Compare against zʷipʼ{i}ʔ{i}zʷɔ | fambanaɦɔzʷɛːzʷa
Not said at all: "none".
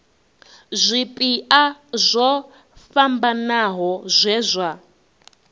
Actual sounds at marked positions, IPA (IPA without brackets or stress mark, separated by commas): i, a